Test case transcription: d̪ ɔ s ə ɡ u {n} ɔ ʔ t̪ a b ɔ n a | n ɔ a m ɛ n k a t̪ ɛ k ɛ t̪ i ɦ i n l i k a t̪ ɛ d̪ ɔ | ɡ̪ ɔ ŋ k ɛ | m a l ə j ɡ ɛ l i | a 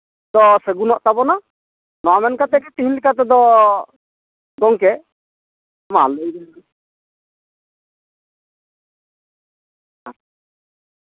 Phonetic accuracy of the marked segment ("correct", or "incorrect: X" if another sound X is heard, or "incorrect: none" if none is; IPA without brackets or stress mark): correct